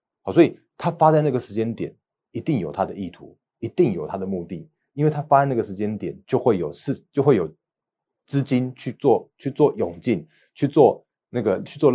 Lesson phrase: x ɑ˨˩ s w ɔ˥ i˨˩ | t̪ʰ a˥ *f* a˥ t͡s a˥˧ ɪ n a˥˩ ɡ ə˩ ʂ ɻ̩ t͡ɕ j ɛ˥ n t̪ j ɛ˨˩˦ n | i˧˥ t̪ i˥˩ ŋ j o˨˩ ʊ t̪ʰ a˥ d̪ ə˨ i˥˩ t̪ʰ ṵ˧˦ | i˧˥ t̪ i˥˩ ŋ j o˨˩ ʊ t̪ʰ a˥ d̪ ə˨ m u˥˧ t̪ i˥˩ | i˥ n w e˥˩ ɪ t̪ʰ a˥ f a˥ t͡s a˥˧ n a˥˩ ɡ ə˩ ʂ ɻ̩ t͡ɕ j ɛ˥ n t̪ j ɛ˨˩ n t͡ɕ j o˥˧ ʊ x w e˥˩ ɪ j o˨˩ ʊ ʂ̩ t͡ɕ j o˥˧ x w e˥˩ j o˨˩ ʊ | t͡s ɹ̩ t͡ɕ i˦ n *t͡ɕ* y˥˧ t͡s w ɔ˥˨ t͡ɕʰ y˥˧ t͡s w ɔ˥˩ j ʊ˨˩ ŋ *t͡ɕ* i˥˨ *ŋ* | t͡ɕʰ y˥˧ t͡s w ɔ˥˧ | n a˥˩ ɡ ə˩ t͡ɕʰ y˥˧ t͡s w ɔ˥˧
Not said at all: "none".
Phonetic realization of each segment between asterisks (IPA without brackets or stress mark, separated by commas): f, t͡ɕʰ, t͡ɕ, n